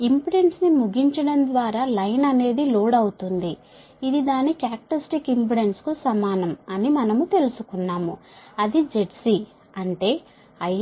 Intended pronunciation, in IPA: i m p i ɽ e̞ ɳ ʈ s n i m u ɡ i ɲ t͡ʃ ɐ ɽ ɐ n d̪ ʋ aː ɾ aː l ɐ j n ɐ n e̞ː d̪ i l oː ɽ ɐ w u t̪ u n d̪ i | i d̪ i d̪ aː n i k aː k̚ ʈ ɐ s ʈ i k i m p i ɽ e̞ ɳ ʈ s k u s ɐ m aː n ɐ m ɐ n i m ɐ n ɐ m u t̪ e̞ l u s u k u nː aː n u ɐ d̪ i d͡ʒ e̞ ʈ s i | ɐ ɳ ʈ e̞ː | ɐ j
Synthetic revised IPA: i m p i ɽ e̞ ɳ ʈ s n i m u ɡ i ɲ t͡ʃ ɐ ɽ ɐ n d̪ ʋ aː ɾ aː l ɐ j n ɐ n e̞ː d̪ i l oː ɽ ɐ w u t̪ u n d̪ i | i d̪ i d̪ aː n i k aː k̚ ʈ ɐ s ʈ i k i m p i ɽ e̞ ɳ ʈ s k u s ɐ m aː n ɐ m ɐ n i m ɐ n ɐ m u t̪ e̞ l u s u k u nː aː m u ɐ d̪ i d͡ʒ e̞ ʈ s i | ɐ ɳ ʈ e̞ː | ɐ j